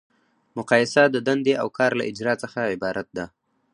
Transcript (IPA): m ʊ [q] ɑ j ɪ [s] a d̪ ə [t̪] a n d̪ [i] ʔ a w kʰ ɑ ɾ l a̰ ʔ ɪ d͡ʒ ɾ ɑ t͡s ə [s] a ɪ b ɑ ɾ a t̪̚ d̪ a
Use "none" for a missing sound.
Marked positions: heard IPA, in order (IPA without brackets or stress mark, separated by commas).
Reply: q, s, d̪, e, x